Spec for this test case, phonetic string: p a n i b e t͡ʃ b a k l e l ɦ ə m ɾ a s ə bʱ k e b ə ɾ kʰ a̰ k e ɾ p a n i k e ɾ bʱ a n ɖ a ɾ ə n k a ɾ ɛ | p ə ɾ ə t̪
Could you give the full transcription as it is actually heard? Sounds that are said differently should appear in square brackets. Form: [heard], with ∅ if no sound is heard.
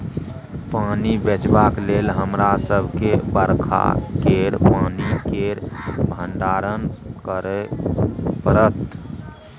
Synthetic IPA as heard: p a n i b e t͡ʃ b a k l e l ɦ ə m ɾ a s ə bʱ k e b ə ɾ kʰ a̰ k e ɾ p a n i k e ɾ bʱ [ə] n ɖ a ɾ ə n k [ə] ɾ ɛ | p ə ɾ ə t̪